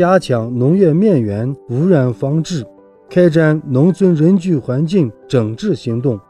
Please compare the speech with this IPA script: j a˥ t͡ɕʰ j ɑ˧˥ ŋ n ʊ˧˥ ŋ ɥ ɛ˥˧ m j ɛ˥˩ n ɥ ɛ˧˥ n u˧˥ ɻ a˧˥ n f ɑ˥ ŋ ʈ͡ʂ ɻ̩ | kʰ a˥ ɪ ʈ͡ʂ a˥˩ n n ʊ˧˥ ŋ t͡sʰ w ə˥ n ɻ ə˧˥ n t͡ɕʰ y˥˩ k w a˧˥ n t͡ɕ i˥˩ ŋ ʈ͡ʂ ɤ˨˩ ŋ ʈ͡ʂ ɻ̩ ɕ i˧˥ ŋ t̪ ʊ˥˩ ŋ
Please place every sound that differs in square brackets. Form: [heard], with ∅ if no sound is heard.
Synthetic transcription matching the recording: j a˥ t͡ɕʰ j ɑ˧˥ ŋ n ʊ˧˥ ŋ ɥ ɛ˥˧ m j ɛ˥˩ n ɥ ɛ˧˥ n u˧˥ ɻ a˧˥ n f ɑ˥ ŋ ʈ͡ʂ ɻ̩ | kʰ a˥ ɪ ʈ͡ʂ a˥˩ n n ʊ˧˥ ŋ t͡sʰ w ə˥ n ɻ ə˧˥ n [t͡ɕ] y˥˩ [x] w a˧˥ n t͡ɕ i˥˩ ŋ ʈ͡ʂ ɤ˨˩ ŋ ʈ͡ʂ ɻ̩ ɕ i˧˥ ŋ t̪ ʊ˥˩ ŋ